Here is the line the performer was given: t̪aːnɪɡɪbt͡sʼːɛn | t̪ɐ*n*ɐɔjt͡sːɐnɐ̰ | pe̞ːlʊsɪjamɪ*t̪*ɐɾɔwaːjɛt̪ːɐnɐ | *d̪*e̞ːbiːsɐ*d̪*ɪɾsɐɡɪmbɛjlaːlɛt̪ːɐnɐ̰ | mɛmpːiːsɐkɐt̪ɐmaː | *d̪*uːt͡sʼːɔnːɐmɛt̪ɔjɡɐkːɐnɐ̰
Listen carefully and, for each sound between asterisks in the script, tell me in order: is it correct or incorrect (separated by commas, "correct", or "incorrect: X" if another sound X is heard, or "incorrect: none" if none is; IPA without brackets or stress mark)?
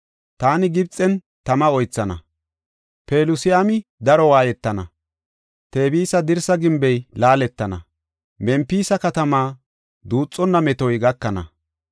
incorrect: m, incorrect: d̪, incorrect: t̪, correct, correct